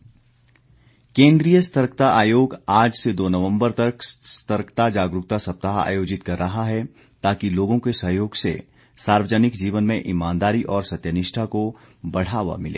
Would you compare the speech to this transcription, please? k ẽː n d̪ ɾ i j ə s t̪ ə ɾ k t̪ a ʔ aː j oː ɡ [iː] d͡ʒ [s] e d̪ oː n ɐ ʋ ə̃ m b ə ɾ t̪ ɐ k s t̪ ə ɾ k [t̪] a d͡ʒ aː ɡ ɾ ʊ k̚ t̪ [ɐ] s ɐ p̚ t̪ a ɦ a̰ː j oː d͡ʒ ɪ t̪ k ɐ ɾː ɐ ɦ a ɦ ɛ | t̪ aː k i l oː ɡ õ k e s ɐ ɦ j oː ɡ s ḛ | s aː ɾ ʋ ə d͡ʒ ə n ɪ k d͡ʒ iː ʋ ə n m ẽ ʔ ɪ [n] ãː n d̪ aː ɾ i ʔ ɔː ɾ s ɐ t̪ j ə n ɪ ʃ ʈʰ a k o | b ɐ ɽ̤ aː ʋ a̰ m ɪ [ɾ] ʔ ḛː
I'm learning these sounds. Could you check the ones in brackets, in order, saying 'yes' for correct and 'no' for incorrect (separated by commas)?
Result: no, yes, yes, no, no, no